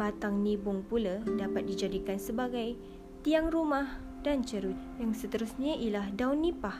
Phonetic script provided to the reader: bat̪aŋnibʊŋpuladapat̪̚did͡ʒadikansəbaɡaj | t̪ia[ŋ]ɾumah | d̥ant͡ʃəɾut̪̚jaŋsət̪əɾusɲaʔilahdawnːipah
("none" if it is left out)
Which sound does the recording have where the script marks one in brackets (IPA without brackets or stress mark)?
ŋ